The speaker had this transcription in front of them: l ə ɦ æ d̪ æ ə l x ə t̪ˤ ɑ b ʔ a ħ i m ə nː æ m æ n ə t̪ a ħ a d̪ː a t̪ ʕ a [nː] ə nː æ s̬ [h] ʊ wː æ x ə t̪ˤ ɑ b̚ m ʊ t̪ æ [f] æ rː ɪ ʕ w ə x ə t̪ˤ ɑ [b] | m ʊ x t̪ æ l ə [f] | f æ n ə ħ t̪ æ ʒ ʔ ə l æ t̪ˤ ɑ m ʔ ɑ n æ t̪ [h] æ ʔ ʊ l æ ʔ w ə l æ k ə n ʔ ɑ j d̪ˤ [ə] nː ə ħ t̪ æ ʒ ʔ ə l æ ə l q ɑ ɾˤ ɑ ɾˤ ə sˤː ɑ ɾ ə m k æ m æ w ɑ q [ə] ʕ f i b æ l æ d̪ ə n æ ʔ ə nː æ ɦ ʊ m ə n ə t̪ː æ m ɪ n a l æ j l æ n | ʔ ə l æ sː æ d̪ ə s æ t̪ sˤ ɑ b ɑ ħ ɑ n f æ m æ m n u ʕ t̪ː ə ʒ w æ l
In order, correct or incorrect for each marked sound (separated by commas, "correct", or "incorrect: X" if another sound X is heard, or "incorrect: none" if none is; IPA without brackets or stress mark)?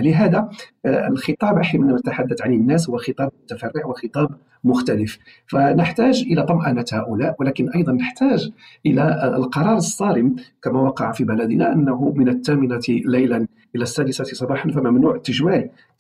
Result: incorrect: n, correct, correct, correct, correct, correct, incorrect: ɑ, incorrect: ɑ